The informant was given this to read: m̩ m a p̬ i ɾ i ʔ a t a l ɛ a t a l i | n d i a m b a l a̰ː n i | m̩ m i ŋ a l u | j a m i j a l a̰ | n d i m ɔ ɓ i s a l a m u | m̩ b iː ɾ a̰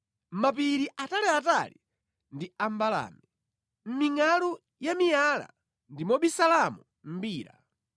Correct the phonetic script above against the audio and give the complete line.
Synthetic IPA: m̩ m a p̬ i ɾ i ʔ a t a l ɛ a t a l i | n d i a m b a l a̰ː m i | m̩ m i ŋ a l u | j a m i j a l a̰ | n d i m ɔ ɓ i s a l a m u | m̩ b iː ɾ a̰